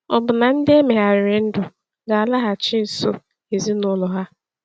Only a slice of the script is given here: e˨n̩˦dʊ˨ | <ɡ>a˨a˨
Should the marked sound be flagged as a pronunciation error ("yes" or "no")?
no